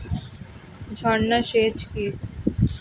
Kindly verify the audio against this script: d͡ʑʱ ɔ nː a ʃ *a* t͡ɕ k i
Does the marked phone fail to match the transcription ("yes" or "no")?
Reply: yes